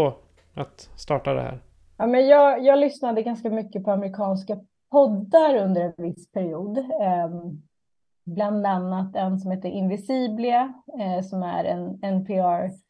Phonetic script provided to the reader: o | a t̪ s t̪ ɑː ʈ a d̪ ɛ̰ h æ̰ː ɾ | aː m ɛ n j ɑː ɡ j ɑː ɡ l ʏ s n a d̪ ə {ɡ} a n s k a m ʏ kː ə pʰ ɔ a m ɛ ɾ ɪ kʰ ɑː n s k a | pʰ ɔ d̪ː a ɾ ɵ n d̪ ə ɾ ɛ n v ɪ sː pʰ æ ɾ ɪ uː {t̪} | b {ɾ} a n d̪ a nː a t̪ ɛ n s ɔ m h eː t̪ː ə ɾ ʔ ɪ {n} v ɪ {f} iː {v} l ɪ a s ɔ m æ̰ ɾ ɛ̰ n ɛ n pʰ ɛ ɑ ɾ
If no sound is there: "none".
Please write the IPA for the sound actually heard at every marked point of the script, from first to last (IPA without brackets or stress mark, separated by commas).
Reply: ɡ, d̪, l, n, s, b